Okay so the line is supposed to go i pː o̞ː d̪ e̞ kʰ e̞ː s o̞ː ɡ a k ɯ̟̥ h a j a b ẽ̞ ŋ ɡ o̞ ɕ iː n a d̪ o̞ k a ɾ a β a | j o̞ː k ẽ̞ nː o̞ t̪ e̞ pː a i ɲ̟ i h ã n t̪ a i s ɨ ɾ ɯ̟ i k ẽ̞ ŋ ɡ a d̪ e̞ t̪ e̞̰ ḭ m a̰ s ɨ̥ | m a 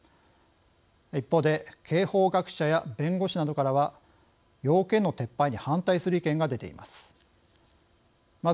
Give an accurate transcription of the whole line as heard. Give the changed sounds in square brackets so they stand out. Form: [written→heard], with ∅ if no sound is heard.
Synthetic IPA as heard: i pː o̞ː d̪ e̞ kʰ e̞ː [s→h] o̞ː ɡ a k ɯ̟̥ [h→ɕ] a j a b ẽ̞ ŋ ɡ o̞ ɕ [iː→i] n a d̪ o̞ k a ɾ a β a | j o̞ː k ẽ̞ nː o̞ t̪ e̞ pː a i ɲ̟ i h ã n t̪ a i s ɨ ɾ ɯ̟ i k ẽ̞ ŋ ɡ a d̪ e̞ t̪ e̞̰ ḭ m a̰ s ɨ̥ | m a